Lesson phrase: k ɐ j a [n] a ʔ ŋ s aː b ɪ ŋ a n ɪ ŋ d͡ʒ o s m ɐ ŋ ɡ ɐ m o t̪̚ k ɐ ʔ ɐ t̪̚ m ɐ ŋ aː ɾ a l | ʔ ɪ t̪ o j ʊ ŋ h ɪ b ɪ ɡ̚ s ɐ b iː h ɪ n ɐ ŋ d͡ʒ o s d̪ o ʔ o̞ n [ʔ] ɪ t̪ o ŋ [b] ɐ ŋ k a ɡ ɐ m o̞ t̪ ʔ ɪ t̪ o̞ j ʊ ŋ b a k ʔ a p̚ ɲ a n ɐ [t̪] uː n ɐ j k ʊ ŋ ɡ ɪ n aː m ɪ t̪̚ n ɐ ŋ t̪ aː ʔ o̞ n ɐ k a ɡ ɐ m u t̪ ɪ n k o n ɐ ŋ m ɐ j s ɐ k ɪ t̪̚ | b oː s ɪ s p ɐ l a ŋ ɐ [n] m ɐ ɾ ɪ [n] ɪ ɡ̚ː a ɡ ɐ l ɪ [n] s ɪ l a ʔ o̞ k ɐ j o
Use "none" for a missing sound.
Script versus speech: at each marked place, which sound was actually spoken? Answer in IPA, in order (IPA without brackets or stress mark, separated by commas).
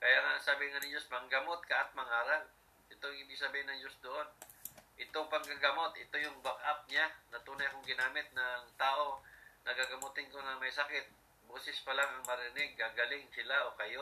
ŋ, ʔ, p, t̪, ŋ, n, ŋ